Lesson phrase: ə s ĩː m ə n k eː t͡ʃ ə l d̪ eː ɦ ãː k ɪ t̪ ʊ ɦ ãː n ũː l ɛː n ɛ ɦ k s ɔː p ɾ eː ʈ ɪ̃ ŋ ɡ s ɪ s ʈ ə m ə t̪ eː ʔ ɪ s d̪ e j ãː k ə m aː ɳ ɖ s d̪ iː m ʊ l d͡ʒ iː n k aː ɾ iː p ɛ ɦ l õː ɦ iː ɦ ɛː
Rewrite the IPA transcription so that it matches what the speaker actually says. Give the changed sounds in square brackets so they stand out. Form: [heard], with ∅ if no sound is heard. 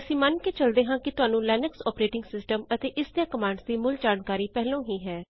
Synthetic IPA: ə s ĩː m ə n k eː t͡ʃ ə l d̪ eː ɦ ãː k ɪ t̪ ʊ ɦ [aː] n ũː l ɛː n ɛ [∅] k s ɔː p ɾ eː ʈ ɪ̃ ŋ ɡ s ɪ s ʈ ə m ə t̪ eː ʔ ɪ s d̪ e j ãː k ə m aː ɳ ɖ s d̪ iː m ʊ l d͡ʒ [aː] n k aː ɾ iː p ɛ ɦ l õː ɦ iː ɦ ɛː